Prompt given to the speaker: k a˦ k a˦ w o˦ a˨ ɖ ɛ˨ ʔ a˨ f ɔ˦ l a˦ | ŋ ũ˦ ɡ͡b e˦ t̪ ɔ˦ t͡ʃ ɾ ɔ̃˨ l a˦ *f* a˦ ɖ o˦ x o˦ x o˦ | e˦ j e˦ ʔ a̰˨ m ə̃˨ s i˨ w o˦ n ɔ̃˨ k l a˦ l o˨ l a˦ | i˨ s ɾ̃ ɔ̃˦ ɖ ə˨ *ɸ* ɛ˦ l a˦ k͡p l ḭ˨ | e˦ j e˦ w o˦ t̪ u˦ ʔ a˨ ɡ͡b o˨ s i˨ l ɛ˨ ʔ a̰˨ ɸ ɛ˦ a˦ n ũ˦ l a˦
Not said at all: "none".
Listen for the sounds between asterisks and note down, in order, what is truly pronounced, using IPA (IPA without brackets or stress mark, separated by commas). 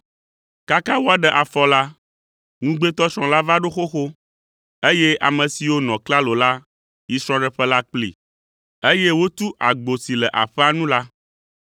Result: v, ɸ